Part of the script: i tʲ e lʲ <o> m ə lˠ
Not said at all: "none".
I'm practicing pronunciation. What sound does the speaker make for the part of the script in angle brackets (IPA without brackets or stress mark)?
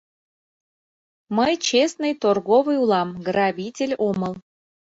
o